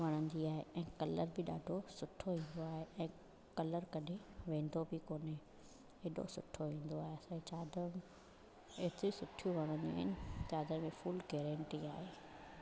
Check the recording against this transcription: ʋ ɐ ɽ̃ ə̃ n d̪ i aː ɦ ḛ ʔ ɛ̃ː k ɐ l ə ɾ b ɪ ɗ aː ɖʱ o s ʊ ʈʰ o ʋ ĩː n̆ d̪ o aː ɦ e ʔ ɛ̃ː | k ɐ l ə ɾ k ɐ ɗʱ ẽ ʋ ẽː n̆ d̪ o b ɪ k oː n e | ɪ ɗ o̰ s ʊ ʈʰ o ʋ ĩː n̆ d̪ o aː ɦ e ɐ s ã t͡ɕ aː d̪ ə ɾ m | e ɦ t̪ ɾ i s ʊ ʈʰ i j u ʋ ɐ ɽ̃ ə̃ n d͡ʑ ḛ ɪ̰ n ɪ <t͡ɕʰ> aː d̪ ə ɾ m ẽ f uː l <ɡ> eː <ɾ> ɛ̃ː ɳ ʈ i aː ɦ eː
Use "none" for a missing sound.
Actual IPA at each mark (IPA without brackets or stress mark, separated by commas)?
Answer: t͡ɕ, ɡ, ɾ